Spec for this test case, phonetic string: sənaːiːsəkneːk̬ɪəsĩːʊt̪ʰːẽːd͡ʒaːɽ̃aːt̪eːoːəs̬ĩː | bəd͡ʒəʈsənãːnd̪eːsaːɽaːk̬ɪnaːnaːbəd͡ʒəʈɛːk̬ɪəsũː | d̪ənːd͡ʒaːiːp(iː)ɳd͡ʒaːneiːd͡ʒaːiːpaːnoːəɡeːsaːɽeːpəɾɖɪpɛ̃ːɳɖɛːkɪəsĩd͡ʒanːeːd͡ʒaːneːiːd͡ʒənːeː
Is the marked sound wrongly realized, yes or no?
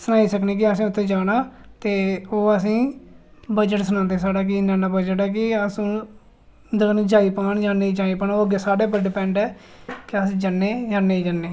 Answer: yes